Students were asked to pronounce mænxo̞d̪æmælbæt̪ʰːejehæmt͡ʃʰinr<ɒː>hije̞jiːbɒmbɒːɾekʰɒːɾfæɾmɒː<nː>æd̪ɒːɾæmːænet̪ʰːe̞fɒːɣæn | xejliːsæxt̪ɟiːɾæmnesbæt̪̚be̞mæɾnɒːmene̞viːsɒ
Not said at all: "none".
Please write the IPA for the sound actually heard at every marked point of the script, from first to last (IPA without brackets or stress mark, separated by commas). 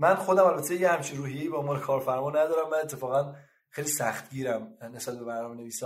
uː, n